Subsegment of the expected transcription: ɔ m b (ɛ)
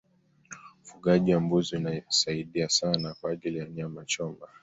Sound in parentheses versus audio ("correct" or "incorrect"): incorrect